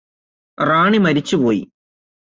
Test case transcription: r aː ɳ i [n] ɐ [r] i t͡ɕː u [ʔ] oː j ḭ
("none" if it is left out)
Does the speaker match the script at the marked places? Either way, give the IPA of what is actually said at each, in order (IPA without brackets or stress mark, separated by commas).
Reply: m, ɾ, p